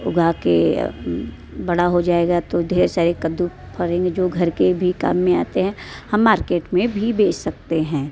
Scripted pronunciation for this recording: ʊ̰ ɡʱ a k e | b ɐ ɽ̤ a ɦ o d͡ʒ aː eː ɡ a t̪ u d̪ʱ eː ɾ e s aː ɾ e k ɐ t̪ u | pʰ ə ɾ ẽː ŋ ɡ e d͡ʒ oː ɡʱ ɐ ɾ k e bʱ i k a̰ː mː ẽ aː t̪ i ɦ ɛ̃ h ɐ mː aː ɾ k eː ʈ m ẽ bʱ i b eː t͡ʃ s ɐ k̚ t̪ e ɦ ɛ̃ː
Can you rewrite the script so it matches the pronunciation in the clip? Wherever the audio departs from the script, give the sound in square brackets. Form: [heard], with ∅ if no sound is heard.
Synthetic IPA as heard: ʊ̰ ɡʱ a k e | b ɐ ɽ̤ a ɦ o d͡ʒ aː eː ɡ a t̪ [o] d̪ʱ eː ɾ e s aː ɾ e k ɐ [d̪] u | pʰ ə ɾ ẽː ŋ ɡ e d͡ʒ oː ɡʱ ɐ ɾ k e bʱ i k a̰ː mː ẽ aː t̪ [e] ɦ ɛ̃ h ɐ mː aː ɾ k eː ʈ m ẽ bʱ i b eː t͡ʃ s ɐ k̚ t̪ e ɦ ɛ̃ː

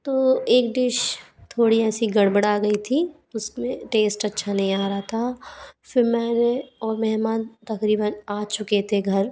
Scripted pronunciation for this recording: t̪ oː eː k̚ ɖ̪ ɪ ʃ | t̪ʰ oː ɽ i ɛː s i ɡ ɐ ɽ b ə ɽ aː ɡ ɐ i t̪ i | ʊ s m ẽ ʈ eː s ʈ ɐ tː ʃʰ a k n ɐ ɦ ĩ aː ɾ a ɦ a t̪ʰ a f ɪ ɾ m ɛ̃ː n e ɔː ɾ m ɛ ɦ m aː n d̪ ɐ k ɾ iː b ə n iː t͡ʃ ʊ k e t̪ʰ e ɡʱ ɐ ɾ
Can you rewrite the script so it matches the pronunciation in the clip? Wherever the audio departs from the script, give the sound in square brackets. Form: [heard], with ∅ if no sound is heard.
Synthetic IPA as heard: t̪ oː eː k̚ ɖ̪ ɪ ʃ | t̪ʰ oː ɽ i ɛː s i ɡ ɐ ɽ b ə ɽ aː ɡ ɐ i [t̪ʰ] i | ʊ s m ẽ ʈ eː s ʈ ɐ tː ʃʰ a [∅] n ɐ ɦ ĩ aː ɾ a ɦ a t̪ʰ a f ɪ ɾ m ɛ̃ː n e ɔː ɾ m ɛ ɦ m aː n [t̪] ɐ k ɾ iː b ə n [aː] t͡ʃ ʊ k e t̪ʰ e ɡʱ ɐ ɾ

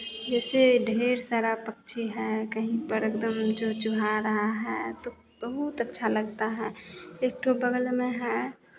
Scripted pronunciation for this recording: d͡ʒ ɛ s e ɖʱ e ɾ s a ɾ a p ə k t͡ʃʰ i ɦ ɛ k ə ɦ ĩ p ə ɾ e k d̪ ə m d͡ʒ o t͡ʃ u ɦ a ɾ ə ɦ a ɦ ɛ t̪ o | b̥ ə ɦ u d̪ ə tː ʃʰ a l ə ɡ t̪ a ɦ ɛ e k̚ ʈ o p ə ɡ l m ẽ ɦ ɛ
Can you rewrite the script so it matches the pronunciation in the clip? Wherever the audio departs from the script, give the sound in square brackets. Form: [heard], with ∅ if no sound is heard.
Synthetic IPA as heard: d͡ʒ ɛ s e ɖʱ e ɾ s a ɾ a p ə k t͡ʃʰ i ɦ ɛ k ə ɦ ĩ p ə ɾ e k d̪ ə m d͡ʒ o t͡ʃ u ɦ a ɾ ə ɦ a ɦ ɛ t̪ o | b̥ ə ɦ u [t̪] ə tː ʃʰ a l ə ɡ t̪ a ɦ ɛ e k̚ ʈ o [b] ə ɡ l m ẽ ɦ ɛ

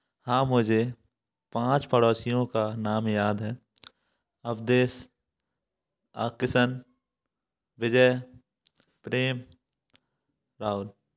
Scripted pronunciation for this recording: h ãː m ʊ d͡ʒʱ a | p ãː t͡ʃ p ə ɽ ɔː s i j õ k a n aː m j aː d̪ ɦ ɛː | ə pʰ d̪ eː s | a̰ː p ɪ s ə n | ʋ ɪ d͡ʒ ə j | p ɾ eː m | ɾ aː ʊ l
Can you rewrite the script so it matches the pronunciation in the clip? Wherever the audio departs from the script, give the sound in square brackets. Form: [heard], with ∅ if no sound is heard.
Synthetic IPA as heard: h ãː m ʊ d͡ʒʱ [e] | p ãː t͡ʃ p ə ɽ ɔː s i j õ k a n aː m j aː d̪ ɦ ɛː | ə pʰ d̪ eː s | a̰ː [k] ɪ s ə n | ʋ ɪ d͡ʒ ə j | p ɾ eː m | ɾ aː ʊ l

